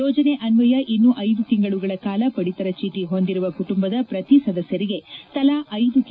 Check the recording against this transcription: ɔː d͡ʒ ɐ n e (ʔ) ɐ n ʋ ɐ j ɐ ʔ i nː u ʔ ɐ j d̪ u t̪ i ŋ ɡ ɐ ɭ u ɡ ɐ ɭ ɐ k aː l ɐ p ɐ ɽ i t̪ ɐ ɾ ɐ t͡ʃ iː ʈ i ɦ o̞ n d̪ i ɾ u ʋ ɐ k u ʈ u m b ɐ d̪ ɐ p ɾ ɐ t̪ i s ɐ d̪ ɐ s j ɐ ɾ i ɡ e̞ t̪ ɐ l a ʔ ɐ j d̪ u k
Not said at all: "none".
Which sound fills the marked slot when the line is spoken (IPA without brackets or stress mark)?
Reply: ʔ